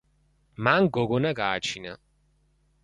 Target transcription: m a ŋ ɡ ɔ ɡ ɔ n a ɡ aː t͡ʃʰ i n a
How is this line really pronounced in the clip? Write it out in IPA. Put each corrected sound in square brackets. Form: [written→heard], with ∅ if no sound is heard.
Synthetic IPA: m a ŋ ɡ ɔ ɡ ɔ n a ɡ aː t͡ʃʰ i n a